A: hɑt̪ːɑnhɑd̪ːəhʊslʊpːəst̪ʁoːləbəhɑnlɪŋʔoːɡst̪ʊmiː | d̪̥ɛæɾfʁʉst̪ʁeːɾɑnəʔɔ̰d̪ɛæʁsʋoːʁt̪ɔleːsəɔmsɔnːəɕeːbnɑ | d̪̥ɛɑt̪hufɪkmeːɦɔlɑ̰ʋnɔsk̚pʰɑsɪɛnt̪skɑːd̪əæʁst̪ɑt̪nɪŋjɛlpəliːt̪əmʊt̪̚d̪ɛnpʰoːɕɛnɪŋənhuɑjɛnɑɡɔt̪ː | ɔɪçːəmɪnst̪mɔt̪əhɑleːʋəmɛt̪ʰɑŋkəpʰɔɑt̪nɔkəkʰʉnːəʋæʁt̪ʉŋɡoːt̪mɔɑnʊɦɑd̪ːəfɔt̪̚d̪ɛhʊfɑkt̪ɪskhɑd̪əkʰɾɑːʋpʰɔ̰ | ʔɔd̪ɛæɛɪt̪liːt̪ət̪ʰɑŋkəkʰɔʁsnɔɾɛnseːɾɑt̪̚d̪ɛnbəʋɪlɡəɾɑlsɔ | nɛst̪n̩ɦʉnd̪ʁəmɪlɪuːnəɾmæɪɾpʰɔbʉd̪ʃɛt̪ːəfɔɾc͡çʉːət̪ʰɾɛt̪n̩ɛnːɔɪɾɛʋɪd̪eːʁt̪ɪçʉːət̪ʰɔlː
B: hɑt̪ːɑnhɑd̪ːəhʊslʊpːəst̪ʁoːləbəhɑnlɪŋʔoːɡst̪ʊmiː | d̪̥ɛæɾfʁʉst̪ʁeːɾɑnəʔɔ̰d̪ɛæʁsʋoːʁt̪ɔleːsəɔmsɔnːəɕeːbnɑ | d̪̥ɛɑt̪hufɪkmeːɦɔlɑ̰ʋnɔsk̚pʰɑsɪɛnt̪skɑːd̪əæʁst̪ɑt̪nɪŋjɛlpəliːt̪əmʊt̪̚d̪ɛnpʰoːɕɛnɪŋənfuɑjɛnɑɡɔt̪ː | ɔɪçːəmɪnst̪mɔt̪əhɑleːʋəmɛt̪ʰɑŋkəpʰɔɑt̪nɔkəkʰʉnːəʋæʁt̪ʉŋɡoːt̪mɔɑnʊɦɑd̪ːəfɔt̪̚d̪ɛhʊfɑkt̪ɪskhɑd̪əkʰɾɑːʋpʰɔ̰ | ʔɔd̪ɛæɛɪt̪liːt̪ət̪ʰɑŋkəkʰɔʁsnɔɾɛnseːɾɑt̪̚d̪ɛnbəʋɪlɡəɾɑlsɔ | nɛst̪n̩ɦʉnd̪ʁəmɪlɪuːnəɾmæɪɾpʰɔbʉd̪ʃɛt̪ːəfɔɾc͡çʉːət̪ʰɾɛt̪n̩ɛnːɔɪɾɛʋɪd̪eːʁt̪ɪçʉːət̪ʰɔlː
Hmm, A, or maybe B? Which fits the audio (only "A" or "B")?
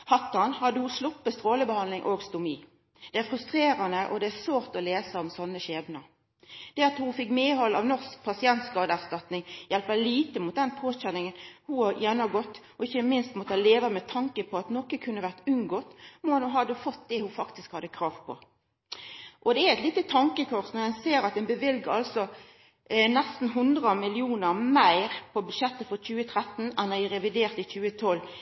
A